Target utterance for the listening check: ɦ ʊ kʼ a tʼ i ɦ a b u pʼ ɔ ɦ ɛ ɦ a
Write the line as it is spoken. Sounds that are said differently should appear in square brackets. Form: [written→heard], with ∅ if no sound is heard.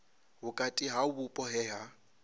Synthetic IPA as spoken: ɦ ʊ kʼ a tʼ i ɦ a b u pʼ ɔ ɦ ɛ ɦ a